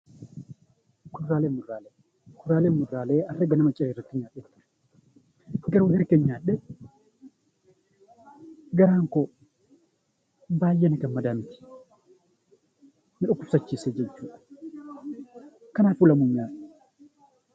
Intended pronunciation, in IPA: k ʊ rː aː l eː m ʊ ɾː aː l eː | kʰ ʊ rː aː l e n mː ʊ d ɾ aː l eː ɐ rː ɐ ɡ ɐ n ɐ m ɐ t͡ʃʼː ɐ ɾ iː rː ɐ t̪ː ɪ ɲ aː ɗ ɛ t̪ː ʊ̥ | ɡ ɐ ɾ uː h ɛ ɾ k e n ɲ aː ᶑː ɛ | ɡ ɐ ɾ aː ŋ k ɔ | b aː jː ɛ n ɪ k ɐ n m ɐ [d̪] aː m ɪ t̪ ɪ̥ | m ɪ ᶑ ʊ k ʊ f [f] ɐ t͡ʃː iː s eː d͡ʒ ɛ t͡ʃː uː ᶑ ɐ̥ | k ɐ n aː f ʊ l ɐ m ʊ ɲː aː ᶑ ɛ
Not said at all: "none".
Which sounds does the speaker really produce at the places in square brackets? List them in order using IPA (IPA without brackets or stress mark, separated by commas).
d̪, s